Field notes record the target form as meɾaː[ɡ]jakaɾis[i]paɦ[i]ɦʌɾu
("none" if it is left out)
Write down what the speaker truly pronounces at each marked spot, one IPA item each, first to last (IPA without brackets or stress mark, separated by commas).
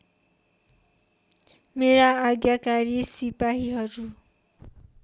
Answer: ɡ, i, i